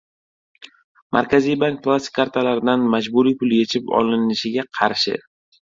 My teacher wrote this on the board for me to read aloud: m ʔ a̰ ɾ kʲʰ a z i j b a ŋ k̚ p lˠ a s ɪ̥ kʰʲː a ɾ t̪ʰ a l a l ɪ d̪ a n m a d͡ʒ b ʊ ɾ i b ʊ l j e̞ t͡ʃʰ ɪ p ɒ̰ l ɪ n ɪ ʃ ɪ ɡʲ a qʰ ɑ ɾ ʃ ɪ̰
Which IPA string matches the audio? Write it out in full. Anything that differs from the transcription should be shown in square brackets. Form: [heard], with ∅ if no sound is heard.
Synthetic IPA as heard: m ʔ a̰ ɾ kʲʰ a z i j b a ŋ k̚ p lˠ a s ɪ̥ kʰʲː a ɾ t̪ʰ a l a [ɾ] ɪ d̪ a n m a d͡ʒ b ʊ ɾ i [p] ʊ l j e̞ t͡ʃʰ ɪ p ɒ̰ l ɪ n ɪ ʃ ɪ ɡʲ a qʰ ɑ ɾ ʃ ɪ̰